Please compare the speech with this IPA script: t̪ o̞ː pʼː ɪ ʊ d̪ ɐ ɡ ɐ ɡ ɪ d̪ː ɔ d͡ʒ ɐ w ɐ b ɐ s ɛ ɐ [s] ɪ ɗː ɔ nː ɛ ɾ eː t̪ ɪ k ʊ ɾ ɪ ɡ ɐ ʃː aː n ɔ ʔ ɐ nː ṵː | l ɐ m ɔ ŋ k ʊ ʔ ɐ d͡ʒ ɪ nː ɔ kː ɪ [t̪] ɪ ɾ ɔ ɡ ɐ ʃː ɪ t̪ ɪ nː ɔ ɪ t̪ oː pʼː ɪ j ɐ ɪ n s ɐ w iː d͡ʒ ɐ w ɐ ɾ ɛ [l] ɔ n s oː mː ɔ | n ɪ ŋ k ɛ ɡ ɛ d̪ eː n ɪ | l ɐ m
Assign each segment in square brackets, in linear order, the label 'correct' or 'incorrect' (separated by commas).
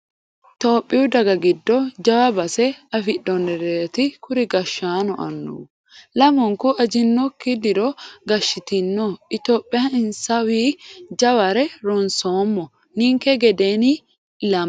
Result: incorrect, incorrect, incorrect